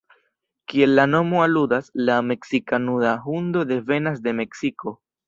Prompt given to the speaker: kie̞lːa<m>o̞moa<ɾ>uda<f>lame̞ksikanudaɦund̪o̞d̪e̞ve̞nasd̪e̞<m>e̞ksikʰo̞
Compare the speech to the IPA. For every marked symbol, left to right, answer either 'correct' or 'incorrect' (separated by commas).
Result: incorrect, incorrect, incorrect, correct